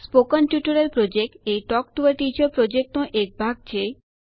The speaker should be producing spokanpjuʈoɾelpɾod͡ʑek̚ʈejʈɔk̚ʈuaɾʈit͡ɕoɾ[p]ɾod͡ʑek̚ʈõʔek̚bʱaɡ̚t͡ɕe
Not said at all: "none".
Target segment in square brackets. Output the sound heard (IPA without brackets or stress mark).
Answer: p